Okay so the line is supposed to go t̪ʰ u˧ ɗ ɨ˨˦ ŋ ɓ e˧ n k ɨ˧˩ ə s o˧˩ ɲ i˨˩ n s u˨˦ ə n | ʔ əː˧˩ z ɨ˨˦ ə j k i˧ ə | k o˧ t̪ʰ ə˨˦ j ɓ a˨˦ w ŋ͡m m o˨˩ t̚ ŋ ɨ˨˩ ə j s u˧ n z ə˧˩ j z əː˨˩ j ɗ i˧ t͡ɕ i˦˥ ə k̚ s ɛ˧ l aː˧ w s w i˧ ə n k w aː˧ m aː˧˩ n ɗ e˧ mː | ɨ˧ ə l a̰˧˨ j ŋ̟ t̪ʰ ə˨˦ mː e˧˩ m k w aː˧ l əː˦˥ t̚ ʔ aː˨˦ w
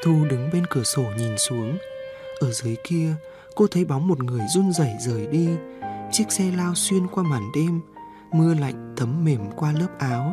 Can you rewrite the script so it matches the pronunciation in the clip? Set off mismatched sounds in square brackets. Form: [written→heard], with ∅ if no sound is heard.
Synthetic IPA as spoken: t̪ʰ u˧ ɗ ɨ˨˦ ŋ ɓ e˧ n k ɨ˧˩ ə s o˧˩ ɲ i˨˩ n s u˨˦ ə [n→ŋ] | ʔ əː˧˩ z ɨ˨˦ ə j k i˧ ə | k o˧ t̪ʰ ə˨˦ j ɓ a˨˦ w ŋ͡m m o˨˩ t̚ ŋ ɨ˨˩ ə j [s→z] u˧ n z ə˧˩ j z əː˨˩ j ɗ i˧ t͡ɕ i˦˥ ə k̚ s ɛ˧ l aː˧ w s w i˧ ə n k w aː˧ m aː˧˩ n ɗ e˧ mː | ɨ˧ ə l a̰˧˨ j ŋ̟ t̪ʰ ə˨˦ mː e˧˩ m k w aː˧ l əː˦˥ [t̚→p̚] ʔ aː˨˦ w